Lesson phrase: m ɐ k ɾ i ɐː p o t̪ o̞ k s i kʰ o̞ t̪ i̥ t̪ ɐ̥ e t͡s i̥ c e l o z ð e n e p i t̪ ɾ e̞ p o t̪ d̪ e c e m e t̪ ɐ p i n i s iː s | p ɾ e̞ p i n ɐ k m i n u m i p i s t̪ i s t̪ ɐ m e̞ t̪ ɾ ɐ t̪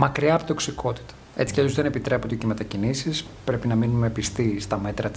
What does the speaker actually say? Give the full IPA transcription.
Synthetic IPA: m ɐ k ɾ i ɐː p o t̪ o̞ k s i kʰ o̞ t̪ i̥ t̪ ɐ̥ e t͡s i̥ c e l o z ð e n e p i t̪ ɾ e̞ p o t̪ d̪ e c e m e t̪ ɐ c i n i s i s | p ɾ e̞ p i n ɐ m i n u m e p i s t̪ i s t̪ ɐ m e̞ t̪ ɾ ɐ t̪